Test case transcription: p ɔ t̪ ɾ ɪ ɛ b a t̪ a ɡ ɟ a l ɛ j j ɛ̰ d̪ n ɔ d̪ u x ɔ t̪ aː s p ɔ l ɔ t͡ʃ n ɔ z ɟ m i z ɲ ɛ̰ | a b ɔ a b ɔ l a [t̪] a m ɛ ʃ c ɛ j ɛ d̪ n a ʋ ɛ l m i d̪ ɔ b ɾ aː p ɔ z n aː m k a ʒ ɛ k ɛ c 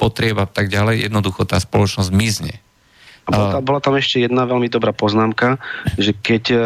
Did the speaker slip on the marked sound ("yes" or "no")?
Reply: no